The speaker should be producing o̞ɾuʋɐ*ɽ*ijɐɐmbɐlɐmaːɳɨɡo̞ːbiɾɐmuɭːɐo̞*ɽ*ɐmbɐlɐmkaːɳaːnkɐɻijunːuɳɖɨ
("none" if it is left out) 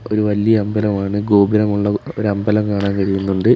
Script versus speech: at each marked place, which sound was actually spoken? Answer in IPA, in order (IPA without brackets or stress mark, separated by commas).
l, ɾ